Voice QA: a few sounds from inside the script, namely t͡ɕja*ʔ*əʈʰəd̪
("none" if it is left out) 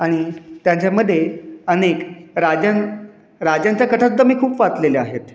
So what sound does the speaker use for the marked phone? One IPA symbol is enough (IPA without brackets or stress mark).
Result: k